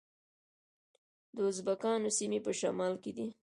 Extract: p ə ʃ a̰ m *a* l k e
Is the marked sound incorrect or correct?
incorrect